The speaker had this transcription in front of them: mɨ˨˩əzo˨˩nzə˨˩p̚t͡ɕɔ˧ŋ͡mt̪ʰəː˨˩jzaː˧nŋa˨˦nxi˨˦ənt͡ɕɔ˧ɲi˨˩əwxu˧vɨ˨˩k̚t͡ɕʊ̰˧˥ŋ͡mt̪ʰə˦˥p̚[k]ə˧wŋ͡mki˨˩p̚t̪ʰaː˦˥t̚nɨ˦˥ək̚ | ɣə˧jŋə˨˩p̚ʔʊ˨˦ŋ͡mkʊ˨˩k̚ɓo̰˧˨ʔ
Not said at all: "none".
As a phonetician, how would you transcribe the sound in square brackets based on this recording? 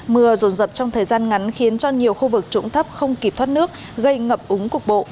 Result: x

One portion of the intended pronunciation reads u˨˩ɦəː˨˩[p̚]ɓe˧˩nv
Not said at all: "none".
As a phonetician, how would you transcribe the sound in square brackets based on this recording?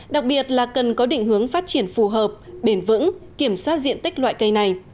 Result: p̚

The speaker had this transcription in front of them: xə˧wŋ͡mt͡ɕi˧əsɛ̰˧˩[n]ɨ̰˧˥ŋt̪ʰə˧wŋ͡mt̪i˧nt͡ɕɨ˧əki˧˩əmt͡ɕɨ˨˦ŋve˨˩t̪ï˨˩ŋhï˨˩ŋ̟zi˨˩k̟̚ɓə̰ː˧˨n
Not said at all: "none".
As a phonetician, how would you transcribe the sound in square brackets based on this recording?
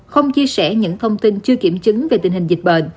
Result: ɲ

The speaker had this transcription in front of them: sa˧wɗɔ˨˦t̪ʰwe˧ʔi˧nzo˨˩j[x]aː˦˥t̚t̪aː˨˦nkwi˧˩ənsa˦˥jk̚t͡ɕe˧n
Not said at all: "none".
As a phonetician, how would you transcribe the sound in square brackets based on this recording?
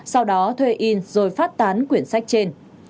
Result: f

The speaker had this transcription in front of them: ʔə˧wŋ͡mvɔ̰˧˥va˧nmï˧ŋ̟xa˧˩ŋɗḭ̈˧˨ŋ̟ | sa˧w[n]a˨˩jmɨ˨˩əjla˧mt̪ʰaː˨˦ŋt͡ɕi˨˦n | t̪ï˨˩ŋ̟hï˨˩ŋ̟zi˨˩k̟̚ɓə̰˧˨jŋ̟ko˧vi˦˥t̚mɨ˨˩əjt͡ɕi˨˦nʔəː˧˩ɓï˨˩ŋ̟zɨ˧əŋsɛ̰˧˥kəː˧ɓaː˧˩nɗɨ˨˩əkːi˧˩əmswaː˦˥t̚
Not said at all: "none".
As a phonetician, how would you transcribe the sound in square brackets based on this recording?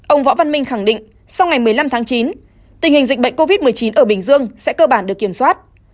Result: ŋ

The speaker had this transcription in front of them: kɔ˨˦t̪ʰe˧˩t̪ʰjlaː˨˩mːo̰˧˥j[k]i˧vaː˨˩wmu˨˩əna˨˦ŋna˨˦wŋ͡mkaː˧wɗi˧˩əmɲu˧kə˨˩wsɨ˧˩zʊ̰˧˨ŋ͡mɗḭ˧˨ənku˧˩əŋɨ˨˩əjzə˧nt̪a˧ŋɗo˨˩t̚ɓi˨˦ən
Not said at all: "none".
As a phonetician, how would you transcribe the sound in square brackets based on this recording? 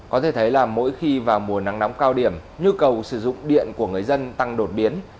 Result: x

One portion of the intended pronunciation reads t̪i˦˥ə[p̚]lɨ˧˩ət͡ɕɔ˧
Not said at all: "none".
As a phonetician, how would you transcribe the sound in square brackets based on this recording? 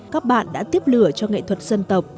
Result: p̚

